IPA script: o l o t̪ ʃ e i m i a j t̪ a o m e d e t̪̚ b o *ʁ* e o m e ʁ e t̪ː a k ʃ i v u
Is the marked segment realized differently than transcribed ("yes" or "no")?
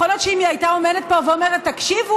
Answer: yes